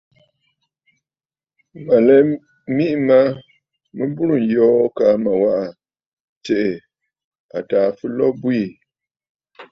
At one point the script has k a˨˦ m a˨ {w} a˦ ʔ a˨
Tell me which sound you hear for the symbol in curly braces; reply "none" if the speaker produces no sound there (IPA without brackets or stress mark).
w